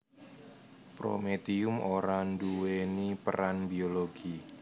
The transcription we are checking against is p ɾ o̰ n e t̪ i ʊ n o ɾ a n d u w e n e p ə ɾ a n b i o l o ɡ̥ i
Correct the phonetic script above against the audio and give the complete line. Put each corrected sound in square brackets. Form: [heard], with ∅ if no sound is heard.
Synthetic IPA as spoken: p ɾ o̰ [m] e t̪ i ʊ [m] o ɾ a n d u w e n [i] p ə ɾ a n b i o l o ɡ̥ i